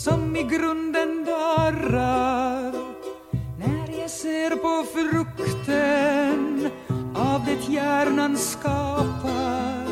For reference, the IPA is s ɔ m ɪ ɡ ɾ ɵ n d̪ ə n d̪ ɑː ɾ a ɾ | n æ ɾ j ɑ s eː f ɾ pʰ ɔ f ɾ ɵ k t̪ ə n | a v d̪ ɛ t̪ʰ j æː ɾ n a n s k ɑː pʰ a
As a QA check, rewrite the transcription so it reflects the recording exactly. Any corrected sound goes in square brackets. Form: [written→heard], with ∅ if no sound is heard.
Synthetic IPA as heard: s ɔ m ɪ ɡ ɾ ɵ n d̪ ə n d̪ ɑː ɾ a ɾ | n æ ɾ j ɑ s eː [f→∅] ɾ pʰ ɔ f ɾ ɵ k t̪ ə n | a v d̪ ɛ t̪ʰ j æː ɾ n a n s k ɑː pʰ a